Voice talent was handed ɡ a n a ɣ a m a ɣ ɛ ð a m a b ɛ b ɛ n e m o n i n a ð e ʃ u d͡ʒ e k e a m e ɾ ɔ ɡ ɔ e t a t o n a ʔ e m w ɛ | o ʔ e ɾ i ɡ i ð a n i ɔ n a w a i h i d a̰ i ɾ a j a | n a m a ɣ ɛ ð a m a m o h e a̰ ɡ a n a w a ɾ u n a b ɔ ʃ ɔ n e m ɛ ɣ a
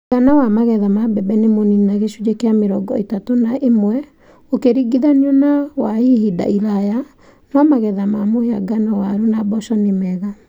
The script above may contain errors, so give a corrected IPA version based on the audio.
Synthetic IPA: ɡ a n a w a m a ɣ ɛ ð a m a b ɛ b ɛ n e m o n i n a ɣ e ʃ u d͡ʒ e k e a m e ɾ ɔ ɡ ɔ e t a t o n a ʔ e m w ɛ | o k e ɾ i ɡ i ð a n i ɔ n a w a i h i d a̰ i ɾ a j a | n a m a ɣ ɛ ð a m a m o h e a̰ ɡ a n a w a ɾ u n a b ɔ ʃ ɔ n e m ɛ ɣ a